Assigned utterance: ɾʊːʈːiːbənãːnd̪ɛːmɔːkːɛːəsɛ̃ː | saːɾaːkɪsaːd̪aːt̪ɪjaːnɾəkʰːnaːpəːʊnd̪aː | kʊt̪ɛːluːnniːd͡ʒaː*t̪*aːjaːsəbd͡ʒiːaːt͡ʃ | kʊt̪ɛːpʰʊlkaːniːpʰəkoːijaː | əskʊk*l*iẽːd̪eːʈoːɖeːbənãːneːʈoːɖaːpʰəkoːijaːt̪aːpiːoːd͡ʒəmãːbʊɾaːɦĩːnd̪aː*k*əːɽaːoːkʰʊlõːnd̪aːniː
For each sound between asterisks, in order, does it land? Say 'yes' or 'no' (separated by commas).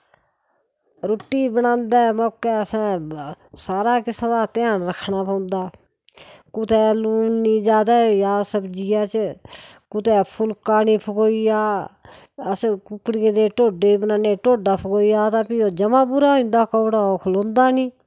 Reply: no, no, yes